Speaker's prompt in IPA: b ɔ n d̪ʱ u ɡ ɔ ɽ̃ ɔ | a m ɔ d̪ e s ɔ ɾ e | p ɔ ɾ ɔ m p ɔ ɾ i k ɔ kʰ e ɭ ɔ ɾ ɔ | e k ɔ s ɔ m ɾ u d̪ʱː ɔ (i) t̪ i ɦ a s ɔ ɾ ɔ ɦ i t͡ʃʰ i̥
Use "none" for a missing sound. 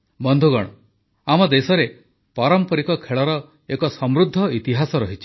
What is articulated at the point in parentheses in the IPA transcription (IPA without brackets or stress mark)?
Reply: i